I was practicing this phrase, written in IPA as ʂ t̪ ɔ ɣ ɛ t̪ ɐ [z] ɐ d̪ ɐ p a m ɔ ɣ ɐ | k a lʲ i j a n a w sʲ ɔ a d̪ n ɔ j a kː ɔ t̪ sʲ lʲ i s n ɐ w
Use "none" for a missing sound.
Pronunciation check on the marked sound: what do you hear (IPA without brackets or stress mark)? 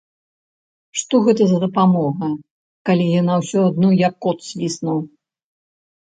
z